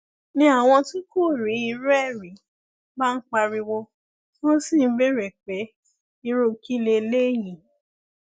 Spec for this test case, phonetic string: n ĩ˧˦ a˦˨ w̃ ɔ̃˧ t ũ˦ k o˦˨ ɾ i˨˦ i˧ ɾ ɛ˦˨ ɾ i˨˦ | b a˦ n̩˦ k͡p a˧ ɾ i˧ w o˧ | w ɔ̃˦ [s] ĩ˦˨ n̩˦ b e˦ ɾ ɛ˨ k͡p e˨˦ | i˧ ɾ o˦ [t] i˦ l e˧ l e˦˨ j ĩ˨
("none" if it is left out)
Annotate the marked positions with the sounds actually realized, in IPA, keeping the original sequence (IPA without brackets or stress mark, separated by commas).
s, k